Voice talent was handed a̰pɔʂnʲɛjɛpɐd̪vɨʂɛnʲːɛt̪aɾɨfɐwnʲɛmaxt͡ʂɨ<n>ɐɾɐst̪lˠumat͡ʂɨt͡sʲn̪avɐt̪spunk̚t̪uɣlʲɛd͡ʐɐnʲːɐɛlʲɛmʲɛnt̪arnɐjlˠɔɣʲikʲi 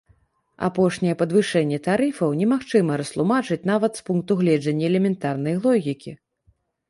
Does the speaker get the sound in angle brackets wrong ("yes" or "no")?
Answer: yes